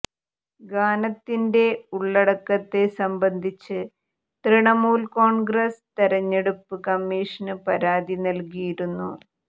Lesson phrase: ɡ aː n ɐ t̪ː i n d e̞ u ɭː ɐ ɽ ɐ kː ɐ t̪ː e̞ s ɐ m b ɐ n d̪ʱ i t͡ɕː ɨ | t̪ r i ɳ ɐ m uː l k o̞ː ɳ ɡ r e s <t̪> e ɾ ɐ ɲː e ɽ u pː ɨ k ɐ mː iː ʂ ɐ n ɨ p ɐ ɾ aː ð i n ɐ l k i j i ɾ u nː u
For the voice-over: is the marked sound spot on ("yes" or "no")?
yes